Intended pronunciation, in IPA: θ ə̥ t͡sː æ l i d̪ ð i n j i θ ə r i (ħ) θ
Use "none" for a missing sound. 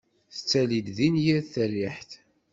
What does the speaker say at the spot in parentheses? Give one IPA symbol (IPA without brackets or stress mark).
ħ